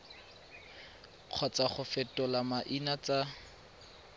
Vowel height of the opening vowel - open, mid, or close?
mid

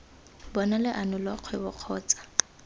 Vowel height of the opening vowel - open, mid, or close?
mid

